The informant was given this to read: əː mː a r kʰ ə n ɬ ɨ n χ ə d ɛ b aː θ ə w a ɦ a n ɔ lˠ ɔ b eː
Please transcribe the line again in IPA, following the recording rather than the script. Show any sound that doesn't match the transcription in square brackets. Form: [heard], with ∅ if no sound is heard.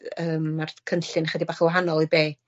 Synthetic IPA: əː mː a r kʰ ə n ɬ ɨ n χ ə d [i] b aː [χ] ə w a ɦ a n ɔ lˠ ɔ b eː